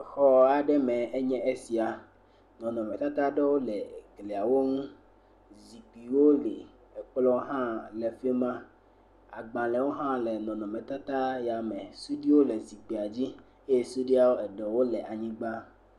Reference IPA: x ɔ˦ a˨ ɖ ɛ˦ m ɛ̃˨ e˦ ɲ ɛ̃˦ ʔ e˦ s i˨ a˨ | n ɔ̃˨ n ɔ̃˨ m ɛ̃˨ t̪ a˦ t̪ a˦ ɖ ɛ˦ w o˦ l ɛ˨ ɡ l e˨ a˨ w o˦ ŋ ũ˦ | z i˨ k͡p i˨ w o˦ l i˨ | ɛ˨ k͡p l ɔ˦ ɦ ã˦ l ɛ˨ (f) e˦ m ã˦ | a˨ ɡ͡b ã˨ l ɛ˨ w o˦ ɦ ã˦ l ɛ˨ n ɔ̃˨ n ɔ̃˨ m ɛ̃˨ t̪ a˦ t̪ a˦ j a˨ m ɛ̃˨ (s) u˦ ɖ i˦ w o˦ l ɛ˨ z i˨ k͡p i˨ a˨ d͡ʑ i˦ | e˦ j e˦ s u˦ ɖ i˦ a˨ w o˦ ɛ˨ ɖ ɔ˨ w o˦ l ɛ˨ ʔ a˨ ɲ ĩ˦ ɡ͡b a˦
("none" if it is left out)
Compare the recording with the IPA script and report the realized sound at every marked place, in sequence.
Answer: f, s

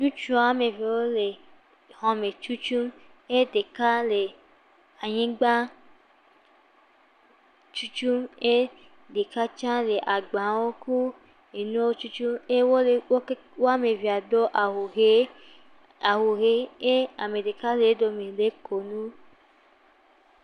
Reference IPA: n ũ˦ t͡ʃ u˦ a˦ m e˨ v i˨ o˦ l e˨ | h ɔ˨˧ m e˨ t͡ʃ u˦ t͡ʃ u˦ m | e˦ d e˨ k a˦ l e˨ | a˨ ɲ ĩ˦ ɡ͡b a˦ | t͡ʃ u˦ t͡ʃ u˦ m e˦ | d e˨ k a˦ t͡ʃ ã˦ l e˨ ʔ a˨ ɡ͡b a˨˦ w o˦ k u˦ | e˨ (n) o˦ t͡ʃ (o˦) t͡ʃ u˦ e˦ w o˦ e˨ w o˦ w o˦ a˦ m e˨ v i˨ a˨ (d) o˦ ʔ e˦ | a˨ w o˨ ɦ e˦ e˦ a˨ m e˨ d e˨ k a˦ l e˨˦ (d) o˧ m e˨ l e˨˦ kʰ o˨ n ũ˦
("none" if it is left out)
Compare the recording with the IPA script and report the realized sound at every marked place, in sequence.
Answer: n, u˦, d, d

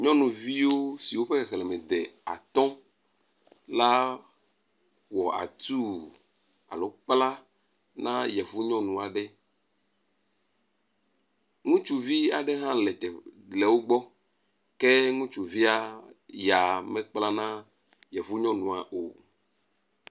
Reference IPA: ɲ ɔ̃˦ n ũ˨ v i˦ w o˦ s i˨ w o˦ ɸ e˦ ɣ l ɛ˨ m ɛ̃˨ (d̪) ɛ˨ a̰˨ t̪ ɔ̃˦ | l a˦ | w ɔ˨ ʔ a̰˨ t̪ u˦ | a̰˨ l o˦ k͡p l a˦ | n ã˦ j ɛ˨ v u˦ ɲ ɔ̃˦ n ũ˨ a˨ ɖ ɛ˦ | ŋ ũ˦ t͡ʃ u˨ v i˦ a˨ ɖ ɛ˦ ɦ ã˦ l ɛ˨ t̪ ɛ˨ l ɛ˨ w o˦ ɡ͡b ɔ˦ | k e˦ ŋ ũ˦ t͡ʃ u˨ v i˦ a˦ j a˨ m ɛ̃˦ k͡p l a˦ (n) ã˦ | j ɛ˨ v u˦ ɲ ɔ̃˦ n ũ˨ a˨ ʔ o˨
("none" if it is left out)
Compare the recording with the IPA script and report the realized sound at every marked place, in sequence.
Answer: d̪, n

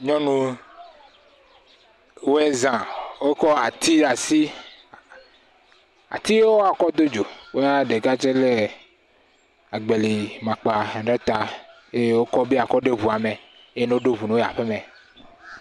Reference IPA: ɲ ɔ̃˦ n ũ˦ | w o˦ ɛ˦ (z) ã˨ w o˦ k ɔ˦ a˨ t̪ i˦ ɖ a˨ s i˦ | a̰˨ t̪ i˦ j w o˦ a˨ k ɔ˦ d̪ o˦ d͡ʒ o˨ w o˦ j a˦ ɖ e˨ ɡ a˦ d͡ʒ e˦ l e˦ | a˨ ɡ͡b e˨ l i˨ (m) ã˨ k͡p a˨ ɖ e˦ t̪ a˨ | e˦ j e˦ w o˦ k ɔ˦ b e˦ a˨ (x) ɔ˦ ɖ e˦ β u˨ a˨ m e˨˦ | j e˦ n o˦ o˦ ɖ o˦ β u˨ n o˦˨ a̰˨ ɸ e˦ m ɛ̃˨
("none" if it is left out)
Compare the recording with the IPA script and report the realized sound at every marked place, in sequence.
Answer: z, m, k

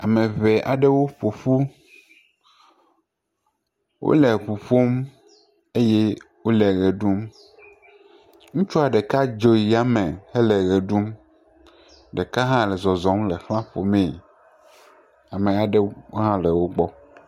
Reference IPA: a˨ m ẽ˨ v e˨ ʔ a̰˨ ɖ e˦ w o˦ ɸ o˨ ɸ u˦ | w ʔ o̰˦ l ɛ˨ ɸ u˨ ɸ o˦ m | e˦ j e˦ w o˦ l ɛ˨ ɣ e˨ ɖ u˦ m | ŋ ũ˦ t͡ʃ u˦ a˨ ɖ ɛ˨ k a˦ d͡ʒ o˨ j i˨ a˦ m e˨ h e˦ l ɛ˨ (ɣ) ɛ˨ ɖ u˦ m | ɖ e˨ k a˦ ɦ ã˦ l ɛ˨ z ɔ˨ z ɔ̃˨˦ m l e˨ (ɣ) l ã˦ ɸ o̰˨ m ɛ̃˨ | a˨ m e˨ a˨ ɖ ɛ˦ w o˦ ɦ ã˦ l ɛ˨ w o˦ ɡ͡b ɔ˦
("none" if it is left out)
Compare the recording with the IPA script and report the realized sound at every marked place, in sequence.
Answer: ɣ, x

